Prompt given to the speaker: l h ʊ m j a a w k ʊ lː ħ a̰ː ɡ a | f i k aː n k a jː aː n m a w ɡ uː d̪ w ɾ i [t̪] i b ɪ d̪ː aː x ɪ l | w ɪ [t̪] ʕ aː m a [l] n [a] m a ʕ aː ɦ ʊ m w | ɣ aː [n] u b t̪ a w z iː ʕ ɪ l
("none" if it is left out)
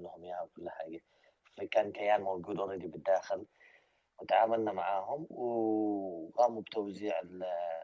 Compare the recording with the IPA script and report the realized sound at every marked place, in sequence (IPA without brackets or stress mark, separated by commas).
d̪, t̪, l, a, m